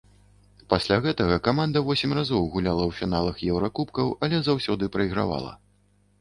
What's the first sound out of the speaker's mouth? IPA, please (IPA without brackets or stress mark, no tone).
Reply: p